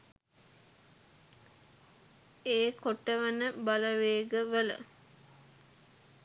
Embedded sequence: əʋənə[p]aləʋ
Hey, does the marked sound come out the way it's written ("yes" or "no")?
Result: no